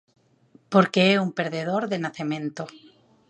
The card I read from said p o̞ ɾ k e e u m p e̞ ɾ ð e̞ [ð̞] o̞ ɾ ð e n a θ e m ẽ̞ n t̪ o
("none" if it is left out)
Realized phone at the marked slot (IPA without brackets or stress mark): ð̞